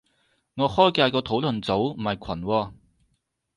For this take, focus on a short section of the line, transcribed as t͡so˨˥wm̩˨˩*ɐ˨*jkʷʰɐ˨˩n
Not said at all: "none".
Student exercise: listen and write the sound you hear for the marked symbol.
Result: ɐ˨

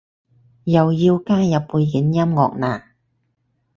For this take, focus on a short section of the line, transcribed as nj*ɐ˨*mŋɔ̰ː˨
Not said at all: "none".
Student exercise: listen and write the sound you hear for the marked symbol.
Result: ɐ˥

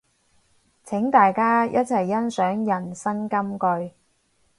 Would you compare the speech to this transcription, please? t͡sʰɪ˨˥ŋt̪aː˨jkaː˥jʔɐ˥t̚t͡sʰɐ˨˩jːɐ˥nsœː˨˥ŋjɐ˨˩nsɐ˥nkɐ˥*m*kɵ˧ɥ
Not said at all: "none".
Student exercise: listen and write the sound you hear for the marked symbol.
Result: m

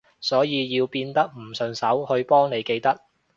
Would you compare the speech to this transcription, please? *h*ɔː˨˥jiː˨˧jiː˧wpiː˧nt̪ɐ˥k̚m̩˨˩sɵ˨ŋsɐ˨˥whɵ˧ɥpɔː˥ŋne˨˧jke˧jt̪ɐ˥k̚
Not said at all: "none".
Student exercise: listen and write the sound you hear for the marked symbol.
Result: s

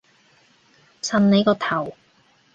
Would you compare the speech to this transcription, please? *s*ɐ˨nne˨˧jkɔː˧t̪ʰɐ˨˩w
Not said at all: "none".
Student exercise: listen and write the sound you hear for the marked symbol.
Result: s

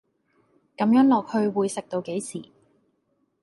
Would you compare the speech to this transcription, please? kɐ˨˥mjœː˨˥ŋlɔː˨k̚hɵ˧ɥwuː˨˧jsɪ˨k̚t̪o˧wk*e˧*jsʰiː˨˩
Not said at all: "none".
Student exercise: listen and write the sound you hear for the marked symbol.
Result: e˨˥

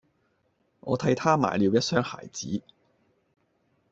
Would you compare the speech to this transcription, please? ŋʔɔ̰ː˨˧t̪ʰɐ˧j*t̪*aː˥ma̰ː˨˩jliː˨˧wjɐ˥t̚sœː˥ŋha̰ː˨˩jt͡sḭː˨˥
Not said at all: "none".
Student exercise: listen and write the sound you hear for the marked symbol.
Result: t̪ʰ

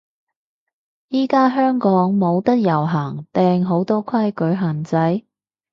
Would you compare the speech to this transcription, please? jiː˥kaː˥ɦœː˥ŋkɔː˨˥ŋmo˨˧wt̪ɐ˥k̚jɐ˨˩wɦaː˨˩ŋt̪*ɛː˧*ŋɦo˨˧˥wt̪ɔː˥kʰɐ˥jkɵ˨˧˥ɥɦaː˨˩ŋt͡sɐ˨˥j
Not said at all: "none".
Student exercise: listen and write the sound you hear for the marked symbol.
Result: ɛː˧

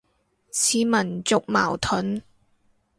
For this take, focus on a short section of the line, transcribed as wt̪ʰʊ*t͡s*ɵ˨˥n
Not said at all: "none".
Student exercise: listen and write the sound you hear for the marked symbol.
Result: none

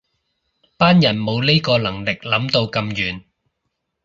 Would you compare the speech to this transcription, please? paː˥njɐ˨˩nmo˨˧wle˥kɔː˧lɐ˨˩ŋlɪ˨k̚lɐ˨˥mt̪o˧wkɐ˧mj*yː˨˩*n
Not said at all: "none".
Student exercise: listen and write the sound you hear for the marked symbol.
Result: yː˨˩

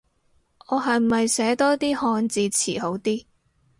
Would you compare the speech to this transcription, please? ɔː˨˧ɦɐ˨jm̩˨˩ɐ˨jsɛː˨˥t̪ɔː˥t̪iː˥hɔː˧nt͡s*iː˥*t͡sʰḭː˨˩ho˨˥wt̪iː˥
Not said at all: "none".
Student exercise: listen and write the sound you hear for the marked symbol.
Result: iː˧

